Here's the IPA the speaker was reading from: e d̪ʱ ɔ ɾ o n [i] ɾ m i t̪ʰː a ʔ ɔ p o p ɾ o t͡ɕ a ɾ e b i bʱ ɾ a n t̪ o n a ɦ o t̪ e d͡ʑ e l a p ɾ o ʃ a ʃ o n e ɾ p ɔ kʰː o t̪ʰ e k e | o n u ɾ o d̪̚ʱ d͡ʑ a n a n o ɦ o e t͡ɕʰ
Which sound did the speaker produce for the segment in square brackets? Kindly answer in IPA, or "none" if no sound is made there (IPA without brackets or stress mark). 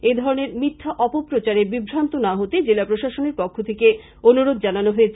e